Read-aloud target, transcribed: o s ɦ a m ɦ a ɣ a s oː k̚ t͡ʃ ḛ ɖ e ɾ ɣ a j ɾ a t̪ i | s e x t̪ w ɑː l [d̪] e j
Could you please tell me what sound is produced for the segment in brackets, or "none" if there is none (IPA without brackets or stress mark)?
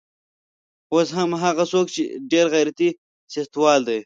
d̪